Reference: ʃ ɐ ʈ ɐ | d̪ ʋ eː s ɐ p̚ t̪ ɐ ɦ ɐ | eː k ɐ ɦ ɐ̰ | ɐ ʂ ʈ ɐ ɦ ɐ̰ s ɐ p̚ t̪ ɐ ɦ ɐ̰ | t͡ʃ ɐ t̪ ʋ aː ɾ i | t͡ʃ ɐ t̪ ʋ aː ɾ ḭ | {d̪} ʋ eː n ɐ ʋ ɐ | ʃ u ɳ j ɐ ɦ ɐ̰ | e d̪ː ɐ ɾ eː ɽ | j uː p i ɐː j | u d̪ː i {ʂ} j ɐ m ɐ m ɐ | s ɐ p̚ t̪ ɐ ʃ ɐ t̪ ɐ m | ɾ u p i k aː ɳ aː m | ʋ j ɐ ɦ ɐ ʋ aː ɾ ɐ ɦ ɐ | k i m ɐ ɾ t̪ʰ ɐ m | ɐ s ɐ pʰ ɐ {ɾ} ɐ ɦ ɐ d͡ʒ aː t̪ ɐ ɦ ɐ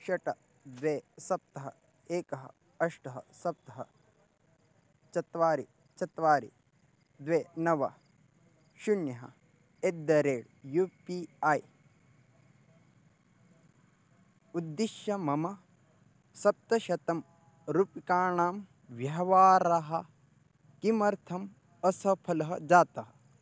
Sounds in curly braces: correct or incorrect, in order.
correct, incorrect, incorrect

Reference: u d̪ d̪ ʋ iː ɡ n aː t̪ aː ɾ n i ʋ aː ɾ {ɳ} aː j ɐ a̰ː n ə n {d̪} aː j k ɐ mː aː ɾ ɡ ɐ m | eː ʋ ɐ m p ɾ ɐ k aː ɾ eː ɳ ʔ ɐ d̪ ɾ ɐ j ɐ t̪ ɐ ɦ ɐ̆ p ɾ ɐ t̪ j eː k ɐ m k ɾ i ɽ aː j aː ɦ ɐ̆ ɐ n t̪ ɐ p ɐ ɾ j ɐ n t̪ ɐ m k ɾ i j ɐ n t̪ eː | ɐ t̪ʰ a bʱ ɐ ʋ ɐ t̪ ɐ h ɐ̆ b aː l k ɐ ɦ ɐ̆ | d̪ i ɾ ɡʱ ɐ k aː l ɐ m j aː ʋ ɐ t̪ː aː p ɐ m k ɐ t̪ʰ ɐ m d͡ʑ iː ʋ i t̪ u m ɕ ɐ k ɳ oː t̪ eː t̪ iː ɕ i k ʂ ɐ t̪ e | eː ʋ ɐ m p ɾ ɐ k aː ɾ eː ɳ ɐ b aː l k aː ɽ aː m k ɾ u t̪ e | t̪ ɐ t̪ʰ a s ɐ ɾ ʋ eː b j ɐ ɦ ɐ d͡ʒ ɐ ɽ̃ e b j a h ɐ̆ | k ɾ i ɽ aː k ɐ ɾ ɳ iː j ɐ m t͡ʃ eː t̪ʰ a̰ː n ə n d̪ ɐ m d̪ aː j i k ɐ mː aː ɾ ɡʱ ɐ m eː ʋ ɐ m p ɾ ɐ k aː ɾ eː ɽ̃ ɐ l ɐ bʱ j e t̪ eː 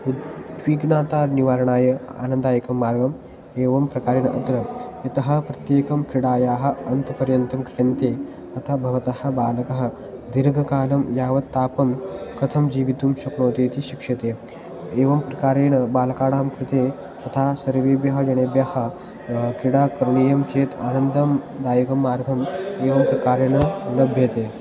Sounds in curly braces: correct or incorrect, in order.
correct, correct

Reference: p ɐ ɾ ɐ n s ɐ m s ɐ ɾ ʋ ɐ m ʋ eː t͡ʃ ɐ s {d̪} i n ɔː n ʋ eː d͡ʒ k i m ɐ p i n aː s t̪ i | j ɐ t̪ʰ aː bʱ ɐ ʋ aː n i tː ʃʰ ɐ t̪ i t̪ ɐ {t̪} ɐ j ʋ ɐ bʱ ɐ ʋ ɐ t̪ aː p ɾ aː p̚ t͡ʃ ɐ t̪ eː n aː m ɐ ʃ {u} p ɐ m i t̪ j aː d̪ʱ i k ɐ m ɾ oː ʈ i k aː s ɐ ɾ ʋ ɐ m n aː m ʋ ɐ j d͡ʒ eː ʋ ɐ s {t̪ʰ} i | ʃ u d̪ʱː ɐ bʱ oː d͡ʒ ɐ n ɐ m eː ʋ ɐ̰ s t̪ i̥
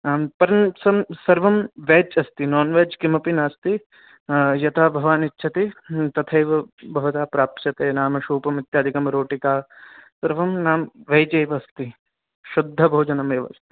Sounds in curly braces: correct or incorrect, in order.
incorrect, incorrect, incorrect, incorrect

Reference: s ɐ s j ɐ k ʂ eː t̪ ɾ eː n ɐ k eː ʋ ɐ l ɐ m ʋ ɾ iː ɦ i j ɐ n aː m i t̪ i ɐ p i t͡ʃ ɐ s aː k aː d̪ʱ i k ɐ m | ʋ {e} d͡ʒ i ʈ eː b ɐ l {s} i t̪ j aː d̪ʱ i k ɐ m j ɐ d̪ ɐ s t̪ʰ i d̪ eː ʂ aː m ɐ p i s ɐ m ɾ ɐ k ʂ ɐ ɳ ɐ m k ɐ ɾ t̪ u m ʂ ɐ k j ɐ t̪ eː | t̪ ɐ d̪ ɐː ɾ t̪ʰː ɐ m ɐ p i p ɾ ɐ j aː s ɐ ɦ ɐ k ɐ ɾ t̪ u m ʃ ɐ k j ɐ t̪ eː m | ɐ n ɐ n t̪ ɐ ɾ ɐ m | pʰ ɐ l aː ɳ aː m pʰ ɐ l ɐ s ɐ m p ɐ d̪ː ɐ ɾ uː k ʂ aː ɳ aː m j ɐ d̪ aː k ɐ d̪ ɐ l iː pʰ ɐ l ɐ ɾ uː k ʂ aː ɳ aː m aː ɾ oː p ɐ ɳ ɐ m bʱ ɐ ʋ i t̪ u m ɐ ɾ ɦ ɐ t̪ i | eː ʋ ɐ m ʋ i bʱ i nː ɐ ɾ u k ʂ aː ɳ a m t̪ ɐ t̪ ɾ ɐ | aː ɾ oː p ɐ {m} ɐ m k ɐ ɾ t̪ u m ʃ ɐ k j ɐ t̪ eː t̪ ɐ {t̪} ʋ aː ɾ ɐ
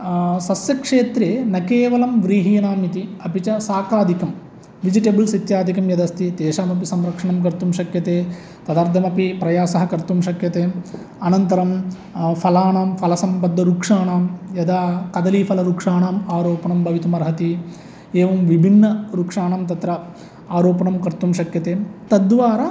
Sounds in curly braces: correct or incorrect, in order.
incorrect, correct, incorrect, incorrect

